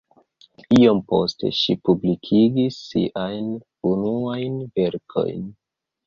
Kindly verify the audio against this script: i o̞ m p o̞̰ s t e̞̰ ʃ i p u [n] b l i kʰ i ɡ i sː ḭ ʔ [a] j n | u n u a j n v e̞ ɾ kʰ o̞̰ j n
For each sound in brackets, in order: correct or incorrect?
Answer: incorrect: none, correct

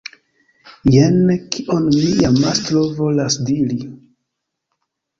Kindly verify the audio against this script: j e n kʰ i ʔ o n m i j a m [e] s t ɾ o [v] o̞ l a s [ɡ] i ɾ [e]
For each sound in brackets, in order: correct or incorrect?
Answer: incorrect: a, correct, incorrect: d, incorrect: i

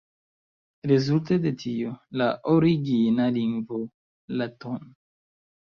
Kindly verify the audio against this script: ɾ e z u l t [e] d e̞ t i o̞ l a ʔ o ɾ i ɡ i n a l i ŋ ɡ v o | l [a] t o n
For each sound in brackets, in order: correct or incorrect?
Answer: correct, correct

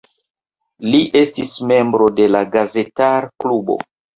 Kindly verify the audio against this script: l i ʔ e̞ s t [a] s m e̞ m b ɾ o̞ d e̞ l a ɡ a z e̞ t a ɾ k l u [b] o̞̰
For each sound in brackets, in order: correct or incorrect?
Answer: incorrect: i, correct

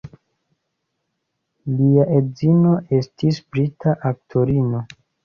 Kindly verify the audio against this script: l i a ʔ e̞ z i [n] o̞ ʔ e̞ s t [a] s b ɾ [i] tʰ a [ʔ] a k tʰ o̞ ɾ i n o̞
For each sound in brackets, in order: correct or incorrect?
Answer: correct, incorrect: i, correct, correct

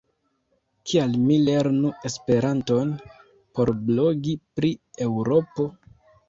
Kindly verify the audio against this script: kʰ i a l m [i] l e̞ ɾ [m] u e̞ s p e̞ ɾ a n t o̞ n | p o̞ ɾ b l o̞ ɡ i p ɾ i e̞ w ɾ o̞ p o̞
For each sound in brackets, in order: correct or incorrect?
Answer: correct, incorrect: n

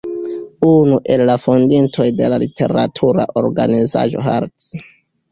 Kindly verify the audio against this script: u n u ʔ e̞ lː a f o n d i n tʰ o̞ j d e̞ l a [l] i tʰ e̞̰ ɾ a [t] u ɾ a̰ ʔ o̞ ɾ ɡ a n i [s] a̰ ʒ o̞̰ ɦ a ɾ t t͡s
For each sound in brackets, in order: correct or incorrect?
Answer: correct, incorrect: tʰ, incorrect: z

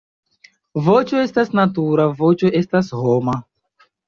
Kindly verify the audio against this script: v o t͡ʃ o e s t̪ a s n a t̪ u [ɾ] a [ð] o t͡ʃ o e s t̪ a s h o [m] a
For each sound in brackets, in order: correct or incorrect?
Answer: correct, incorrect: v, correct

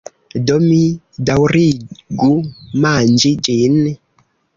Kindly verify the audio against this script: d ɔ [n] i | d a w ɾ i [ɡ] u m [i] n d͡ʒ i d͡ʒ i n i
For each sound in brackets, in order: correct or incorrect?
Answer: incorrect: m, correct, incorrect: a

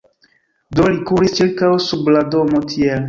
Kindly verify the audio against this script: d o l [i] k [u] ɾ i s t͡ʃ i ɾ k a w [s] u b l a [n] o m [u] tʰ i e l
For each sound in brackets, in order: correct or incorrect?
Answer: correct, correct, correct, incorrect: d, incorrect: o

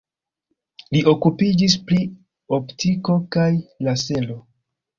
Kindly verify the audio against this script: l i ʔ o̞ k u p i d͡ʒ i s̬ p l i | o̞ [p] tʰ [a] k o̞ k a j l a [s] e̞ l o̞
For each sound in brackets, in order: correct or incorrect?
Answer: correct, incorrect: i, correct

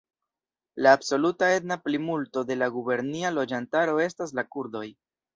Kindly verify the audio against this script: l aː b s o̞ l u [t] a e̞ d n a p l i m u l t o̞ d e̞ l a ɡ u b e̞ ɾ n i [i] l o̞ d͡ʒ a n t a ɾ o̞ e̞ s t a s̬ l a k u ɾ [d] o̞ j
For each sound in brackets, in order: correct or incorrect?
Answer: correct, incorrect: a, correct

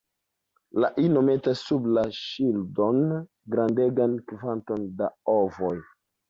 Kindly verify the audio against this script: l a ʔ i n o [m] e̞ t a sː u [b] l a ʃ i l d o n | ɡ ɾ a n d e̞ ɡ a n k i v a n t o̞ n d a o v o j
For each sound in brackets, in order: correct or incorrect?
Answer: correct, correct

